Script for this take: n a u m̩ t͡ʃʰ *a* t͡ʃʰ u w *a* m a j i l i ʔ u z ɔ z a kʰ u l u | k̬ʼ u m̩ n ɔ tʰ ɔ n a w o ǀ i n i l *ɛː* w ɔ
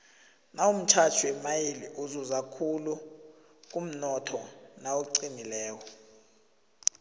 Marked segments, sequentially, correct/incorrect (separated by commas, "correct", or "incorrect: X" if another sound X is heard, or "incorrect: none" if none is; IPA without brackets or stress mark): correct, incorrect: ɛ, correct